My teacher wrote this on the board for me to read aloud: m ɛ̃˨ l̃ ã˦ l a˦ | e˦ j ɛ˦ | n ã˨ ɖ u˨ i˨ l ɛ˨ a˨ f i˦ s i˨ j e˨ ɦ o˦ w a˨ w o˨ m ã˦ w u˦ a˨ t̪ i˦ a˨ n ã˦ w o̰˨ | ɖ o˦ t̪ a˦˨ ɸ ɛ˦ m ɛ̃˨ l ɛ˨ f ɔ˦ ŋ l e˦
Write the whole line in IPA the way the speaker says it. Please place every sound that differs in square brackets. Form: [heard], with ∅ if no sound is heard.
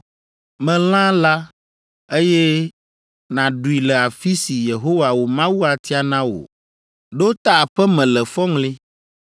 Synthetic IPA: m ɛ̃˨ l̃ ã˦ l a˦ | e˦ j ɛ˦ | n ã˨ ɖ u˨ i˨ l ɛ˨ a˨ f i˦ s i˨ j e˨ ɦ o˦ w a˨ w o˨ m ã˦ w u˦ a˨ t̪ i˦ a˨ n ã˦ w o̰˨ | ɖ o˦ t̪ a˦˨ ɸ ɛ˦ m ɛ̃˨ l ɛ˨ f ɔ˦ ŋ l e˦